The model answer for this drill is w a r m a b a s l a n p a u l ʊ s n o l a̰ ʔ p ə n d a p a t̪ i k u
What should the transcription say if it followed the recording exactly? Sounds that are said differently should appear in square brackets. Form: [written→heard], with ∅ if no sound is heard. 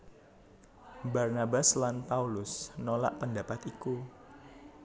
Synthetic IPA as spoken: [w→b] a r [m→n] a b a s l a n p a u l ʊ s n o l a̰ ʔ p ə n d a p a t̪ i k u